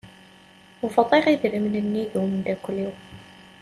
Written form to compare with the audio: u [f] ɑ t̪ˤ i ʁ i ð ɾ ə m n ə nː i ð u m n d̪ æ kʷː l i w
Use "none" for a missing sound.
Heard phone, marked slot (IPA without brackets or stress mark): f